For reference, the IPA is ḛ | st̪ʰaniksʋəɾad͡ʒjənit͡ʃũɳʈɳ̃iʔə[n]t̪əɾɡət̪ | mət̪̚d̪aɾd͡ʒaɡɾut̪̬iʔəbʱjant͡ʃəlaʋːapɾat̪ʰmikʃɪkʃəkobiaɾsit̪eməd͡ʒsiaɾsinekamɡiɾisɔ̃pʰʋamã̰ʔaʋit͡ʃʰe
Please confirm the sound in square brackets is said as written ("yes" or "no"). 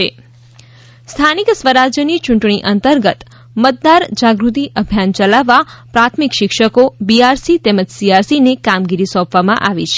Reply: yes